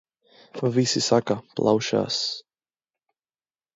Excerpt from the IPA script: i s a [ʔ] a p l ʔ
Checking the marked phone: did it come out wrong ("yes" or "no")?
yes